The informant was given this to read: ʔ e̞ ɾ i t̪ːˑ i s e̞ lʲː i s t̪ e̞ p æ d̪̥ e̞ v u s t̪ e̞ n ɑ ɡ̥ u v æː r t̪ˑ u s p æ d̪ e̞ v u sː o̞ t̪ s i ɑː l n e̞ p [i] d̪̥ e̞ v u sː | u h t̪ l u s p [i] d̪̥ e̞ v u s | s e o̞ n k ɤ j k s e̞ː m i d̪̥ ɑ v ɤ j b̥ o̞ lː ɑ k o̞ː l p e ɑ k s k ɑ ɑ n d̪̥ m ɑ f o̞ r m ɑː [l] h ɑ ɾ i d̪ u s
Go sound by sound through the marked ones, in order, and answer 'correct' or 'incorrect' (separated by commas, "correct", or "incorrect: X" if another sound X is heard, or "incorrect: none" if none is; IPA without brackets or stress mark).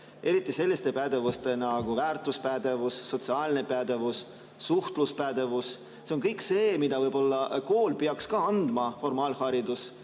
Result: incorrect: æ, incorrect: æ, correct